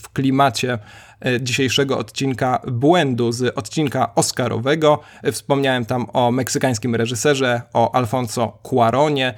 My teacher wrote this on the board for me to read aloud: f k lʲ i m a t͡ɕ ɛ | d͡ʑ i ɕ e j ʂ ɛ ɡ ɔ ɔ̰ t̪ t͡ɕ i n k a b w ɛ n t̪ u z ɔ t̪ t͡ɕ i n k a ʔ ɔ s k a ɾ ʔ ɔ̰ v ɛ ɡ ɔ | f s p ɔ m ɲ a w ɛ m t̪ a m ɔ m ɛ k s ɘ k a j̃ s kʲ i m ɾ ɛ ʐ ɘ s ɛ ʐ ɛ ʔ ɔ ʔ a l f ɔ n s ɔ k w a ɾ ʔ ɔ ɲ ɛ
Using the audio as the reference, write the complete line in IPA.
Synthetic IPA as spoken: f k lʲ i m a t͡ɕ ɛ | d͡ʑ i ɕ e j ʂ ɛ ɡ ɔ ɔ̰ t̪ t͡ɕ i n k a b w ɛ n d̪ u z ɔ t̪ t͡ɕ i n k a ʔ ɔ s k a ɾ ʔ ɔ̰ v ɛ ɡ ɔ | f s p ɔ m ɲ a w ɛ m t̪ a m ɔ m ɛ k s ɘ k a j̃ s kʲ i m ɾ ɛ ʐ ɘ s ɛ ʐ ɛ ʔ ɔ ʔ a l f ɔ n s ɔ k w a ɾ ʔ ɔ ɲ ɛ